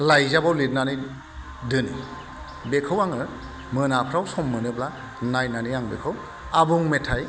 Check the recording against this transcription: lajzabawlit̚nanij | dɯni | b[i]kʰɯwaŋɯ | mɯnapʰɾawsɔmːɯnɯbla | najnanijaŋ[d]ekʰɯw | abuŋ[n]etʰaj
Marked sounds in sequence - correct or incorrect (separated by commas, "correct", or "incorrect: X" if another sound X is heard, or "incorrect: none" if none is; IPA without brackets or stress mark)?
incorrect: e, incorrect: b, incorrect: m